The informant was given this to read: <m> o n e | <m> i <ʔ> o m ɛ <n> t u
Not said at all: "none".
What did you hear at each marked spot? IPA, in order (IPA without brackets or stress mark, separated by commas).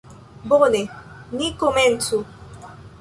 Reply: b, n, k, n